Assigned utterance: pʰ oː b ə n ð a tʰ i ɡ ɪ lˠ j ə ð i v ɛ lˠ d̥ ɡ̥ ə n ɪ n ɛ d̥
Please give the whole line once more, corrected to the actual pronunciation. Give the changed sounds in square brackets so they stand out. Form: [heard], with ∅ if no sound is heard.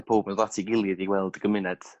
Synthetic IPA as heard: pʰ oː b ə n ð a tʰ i ɡ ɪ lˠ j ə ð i [w] ɛ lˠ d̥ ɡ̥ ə [m] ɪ n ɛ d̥